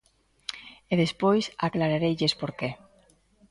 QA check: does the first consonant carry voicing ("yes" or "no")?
yes